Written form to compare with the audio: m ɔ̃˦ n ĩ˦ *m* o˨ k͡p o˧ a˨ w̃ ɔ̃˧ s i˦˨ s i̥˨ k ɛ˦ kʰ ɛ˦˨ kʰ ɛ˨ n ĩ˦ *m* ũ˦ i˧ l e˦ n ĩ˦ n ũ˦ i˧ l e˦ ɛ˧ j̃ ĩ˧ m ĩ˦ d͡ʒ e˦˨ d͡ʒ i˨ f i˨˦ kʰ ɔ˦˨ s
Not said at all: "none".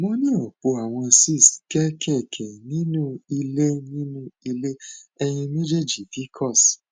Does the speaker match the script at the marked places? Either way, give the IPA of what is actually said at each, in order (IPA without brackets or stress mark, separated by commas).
none, n